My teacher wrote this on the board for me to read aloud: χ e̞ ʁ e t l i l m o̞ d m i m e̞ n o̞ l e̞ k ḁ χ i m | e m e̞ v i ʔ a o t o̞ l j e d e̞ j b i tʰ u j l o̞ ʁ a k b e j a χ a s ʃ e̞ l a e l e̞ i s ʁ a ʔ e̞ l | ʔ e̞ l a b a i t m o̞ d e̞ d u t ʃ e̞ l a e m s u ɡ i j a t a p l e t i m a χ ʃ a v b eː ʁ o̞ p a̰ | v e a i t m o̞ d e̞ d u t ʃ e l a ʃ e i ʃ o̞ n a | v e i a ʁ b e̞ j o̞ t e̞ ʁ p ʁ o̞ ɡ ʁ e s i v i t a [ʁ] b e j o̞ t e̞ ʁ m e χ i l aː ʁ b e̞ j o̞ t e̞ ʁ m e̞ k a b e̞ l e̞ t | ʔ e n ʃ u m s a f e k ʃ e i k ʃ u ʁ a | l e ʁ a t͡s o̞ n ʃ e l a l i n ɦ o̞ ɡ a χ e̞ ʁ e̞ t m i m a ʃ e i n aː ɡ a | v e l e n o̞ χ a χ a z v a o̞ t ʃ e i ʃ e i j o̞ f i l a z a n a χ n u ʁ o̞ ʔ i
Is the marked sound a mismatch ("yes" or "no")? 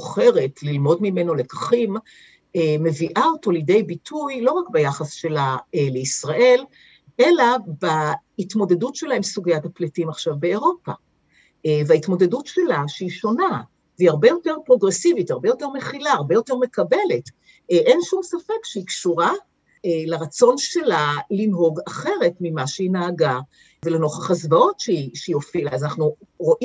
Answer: no